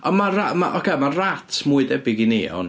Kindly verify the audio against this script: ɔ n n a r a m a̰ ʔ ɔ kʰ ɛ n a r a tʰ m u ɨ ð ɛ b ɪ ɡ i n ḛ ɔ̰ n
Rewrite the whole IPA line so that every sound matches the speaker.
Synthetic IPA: ɔ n m a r a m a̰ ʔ ɔ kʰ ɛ m a r a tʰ m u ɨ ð ɛ b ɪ ɡ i n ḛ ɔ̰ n

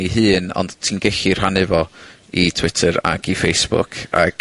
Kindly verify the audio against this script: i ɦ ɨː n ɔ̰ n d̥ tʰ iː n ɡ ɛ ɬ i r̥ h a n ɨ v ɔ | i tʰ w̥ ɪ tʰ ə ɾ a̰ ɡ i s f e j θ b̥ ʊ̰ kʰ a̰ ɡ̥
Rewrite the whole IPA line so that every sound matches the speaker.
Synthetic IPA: i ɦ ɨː n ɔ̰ n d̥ tʰ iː n ɡ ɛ ɬ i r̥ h a n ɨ v ɔ | i tʰ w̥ ɪ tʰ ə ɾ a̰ ɡ i f e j s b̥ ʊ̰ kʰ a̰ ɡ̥

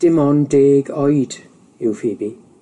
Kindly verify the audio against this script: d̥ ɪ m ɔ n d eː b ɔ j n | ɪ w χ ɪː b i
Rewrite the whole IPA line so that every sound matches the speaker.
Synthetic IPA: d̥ ɪ m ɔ n d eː ɡ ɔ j d | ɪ w f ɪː b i

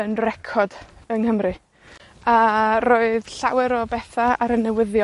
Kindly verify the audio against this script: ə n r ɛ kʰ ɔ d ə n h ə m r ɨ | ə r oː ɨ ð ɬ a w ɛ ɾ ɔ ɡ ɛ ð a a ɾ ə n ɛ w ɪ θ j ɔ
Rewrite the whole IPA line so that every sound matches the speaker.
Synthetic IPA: ə n r ɛ kʰ ɔ d ə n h ə m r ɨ | a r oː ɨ ð ɬ a w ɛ ɾ ɔ b ɛ θ a a ɾ ə n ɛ w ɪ ð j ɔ

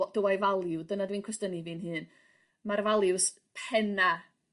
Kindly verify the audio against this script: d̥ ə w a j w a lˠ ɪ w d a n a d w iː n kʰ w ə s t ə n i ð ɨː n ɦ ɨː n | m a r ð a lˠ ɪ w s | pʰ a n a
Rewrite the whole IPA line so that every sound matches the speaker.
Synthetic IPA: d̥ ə w a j v a lˠ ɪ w d ə n a d w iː n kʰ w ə s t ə n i v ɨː n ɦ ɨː n | m a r v a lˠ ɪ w s | pʰ ɛ n a

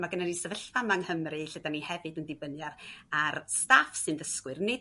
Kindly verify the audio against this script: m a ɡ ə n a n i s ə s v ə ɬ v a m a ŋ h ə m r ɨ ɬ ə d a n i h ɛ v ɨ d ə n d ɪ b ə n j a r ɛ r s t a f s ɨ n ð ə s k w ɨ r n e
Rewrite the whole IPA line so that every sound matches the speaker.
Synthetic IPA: m a ɡ ə n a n i s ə v ə ɬ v a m a ŋ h ə m r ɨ ɬ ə d a n i h ɛ v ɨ d ə n d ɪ b ə n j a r a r s t a f s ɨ n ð ə s k w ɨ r n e

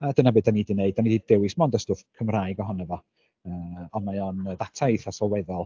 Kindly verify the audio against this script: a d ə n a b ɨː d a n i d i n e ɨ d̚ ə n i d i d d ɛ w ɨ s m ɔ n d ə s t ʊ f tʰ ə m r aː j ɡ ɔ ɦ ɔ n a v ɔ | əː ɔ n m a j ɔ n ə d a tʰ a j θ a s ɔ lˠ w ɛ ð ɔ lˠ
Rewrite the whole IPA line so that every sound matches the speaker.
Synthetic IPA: a d ə n a b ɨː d a n i d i n e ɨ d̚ a n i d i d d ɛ w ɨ s m ɔ n d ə s t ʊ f kʰ ə m r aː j ɡ ɔ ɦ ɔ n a v ɔ | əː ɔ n m a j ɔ n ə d a tʰ a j θ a s ɔ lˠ w ɛ ð ɔ lˠ

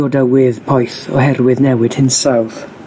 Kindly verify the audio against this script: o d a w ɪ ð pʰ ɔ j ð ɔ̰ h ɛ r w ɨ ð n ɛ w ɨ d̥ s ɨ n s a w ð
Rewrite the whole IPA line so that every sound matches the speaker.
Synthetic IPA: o d a w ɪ ð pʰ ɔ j θ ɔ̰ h ɛ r w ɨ ð n ɛ w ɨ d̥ h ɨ n s a w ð

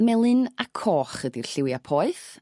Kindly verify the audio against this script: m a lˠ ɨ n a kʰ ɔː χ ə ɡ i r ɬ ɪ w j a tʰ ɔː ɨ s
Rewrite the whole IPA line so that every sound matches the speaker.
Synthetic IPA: m ɛ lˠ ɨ n a kʰ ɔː χ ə d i r ɬ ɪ w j a pʰ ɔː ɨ θ

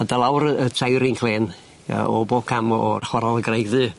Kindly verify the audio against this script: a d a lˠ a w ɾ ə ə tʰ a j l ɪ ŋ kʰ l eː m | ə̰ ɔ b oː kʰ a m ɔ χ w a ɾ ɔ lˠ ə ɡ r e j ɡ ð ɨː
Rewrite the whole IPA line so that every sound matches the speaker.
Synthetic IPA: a d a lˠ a w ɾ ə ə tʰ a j ɾ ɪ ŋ kʰ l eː n | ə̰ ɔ b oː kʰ a m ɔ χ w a ɾ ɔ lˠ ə ɡ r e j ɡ ð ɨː

